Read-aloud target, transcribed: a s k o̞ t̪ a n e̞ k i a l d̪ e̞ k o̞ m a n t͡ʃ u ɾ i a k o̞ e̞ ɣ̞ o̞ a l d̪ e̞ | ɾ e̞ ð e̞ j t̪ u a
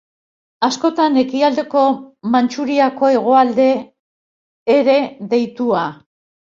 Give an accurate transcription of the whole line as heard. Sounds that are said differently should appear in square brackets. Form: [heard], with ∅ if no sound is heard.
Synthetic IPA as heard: a s k o̞ t̪ a n e̞ k i a l d̪ e̞ k o̞ m a n t͡ʃ u ɾ i a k o̞ e̞ ɣ̞ o̞ a l d̪ e̞ | ɾ e̞ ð e̞ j t̪ u a